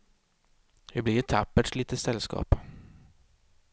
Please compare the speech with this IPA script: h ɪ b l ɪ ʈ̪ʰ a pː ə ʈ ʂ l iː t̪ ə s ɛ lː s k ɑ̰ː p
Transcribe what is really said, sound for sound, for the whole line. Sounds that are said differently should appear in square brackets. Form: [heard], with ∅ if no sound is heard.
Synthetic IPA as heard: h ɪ b l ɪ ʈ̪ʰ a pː ə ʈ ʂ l iː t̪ ə s ɛ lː s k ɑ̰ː p